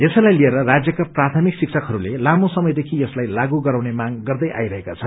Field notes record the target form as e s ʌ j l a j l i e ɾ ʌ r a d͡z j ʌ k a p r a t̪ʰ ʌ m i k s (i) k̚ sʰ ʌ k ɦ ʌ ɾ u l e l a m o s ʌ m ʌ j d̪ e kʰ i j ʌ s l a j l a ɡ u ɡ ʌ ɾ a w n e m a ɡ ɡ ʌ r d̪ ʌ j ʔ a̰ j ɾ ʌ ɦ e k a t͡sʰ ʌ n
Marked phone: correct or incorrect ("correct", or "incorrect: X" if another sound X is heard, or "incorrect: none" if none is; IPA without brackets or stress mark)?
correct